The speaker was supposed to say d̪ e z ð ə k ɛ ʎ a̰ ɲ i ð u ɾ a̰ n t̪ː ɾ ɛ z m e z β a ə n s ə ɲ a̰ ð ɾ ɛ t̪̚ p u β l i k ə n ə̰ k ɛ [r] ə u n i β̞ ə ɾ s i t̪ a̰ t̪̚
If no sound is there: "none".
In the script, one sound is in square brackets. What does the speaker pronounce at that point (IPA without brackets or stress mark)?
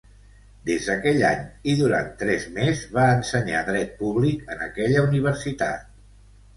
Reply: ʎ